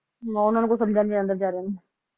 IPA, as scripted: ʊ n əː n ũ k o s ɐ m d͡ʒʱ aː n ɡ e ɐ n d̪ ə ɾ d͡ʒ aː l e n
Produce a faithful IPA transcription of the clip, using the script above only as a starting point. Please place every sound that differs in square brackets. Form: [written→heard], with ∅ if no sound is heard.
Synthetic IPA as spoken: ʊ n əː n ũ k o s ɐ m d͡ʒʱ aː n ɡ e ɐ n d̪ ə ɾ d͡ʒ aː [l→ɾ] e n